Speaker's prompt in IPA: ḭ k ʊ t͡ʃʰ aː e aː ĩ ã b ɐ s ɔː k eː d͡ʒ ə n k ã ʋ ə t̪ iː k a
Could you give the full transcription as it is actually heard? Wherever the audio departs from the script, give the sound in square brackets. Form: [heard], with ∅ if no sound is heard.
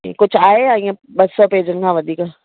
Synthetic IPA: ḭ k ʊ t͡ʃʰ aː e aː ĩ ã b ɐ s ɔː [p] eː d͡ʒ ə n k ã ʋ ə [d̪] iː k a